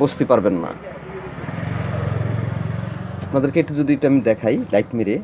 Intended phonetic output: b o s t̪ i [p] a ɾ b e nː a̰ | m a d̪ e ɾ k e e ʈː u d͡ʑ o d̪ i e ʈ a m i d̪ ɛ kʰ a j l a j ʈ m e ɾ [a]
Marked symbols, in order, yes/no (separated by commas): yes, no